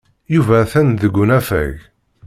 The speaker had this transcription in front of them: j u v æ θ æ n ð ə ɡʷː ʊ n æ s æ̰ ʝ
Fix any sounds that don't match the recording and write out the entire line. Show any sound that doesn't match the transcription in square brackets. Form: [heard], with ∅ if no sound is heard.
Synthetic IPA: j u v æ θ æ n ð ə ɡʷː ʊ n æ [f] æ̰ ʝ